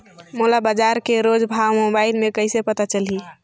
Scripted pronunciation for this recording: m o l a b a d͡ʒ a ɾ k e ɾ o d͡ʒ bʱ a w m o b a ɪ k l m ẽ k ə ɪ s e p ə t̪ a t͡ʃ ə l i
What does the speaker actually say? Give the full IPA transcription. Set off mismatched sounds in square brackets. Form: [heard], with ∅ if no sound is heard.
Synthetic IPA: m o l a b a d͡ʒ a ɾ k e ɾ o d͡ʒ bʱ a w m o b a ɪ [∅] l m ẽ k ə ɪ s e p ə t̪ a t͡ʃ ə l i